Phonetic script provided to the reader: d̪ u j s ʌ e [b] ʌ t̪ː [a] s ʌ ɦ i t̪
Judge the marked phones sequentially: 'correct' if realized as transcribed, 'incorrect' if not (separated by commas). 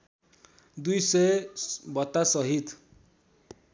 correct, correct